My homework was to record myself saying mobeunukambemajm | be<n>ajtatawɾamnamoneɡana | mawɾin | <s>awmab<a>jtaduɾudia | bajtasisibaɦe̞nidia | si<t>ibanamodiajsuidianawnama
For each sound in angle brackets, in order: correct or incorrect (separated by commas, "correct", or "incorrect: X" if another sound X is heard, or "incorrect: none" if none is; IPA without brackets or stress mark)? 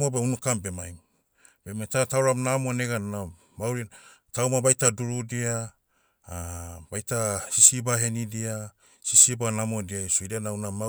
incorrect: m, incorrect: t, correct, incorrect: s